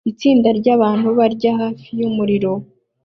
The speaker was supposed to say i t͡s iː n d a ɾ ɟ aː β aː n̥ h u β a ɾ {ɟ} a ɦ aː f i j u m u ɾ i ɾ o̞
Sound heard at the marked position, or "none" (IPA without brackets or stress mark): ɟ